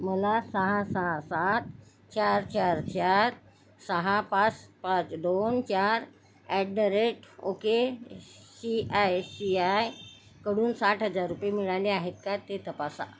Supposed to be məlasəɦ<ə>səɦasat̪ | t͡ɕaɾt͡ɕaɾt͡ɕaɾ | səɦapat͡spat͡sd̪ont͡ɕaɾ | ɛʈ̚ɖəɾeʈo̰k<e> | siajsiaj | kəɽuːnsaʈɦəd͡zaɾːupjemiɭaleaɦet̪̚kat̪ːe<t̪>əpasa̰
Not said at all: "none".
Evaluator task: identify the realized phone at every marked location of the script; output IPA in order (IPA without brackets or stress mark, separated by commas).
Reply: a, e, t̪